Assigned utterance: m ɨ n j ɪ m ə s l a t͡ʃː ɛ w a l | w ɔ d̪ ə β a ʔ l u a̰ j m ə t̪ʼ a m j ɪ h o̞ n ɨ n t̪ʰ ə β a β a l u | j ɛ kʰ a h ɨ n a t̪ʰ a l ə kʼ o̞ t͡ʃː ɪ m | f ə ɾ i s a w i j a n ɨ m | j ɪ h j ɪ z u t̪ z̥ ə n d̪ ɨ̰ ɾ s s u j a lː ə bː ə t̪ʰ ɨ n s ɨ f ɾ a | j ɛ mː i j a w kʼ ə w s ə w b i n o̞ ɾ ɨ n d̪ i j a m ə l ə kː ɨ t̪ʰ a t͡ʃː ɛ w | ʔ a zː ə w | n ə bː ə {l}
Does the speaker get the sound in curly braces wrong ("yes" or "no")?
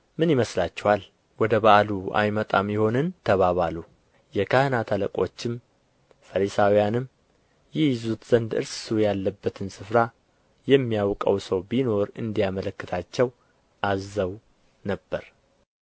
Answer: yes